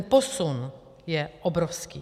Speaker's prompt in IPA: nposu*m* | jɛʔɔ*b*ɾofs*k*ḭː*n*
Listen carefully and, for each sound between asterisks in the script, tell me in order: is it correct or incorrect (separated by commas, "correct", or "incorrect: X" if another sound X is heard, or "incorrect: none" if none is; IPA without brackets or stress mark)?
incorrect: n, correct, correct, incorrect: none